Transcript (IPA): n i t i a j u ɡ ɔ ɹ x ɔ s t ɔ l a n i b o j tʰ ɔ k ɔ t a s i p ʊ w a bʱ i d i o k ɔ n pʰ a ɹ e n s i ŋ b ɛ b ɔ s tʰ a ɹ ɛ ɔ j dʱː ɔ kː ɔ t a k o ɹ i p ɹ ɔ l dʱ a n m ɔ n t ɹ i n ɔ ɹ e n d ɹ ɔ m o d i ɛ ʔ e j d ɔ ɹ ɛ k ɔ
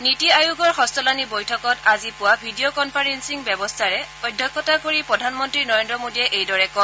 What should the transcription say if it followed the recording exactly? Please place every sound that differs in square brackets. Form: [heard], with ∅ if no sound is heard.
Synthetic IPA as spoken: n i t i a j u ɡ ɔ ɹ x ɔ s t ɔ l a n i b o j tʰ ɔ k ɔ t a [z] i p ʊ w a bʱ i d i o k ɔ n pʰ a ɹ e n s i ŋ b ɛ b ɔ s tʰ a ɹ ɛ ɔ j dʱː ɔ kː ɔ t a k o ɹ i p ɹ ɔ [∅] dʱ a n m ɔ n t ɹ i n ɔ ɹ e n d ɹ ɔ m o d i ɛ ʔ e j d ɔ ɹ ɛ k ɔ